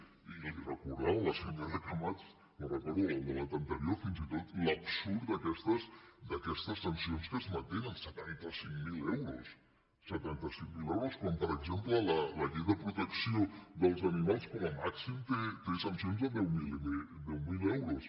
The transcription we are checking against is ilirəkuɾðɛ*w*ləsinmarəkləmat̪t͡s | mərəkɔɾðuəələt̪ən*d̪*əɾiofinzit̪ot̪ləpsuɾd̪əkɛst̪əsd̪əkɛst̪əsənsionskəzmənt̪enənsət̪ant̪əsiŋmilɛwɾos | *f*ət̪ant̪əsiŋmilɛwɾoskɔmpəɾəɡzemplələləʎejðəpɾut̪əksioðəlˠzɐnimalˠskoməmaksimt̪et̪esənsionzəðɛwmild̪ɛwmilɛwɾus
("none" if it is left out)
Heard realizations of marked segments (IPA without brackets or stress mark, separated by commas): w, t̪, s